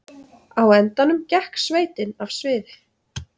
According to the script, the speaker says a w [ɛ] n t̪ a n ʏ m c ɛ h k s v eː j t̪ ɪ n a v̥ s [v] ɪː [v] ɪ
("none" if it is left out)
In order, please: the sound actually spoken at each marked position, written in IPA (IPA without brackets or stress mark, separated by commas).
ɛ, v, ð